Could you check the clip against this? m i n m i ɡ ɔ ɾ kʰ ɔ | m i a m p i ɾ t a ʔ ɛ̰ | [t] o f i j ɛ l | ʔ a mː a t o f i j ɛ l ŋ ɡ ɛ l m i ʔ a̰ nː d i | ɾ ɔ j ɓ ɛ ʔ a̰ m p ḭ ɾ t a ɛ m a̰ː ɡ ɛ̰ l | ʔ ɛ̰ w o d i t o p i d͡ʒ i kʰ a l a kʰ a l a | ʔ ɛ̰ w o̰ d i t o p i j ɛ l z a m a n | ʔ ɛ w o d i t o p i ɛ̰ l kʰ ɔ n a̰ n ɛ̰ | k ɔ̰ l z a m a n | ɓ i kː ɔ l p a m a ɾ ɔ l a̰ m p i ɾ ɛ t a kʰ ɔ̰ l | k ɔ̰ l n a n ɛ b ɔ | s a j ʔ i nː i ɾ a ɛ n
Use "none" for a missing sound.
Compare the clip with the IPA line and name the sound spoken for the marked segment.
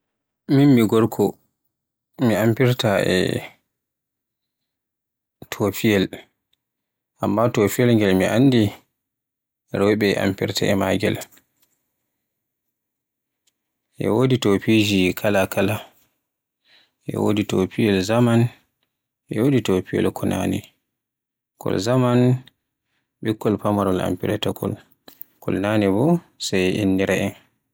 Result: tʰ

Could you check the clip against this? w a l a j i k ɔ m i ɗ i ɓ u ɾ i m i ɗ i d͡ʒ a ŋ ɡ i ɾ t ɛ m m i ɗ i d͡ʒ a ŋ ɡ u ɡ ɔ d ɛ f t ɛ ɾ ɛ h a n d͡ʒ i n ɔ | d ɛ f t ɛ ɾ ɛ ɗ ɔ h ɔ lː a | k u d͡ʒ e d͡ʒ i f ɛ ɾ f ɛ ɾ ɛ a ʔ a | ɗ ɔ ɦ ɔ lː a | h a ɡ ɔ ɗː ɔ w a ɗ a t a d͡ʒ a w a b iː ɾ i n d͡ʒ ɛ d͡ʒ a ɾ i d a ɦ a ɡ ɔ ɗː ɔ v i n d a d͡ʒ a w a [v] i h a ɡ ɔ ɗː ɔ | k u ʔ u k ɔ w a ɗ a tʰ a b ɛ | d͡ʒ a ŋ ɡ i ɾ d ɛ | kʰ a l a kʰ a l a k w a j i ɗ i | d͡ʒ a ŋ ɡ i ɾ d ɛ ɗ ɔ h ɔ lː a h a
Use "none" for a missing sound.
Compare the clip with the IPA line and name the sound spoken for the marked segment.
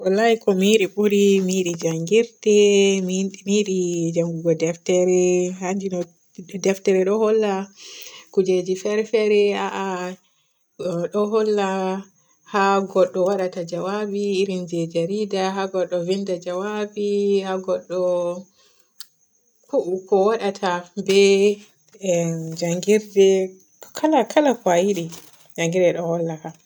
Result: b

